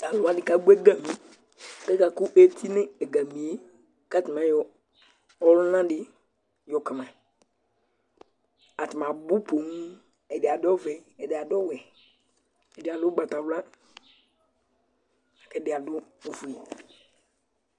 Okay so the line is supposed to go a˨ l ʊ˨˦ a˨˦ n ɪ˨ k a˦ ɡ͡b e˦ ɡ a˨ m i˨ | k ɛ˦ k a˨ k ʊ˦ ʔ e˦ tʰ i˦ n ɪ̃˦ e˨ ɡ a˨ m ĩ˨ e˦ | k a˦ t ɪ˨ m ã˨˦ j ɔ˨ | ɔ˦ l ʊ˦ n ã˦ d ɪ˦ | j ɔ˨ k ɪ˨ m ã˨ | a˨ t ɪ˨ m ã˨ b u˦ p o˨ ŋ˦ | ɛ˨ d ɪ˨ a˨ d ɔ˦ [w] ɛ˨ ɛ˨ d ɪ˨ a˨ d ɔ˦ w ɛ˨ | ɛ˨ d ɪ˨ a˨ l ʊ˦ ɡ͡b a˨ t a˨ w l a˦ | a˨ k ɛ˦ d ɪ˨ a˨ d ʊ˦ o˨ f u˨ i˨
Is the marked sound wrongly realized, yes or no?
yes